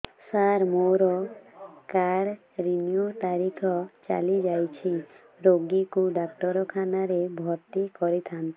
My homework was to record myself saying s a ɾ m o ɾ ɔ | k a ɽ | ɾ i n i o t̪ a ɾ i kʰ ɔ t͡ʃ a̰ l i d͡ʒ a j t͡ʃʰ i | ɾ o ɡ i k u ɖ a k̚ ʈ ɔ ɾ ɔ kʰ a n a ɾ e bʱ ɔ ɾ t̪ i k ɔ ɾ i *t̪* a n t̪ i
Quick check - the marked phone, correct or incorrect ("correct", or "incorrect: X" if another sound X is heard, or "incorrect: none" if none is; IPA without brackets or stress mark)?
incorrect: t̪ʰ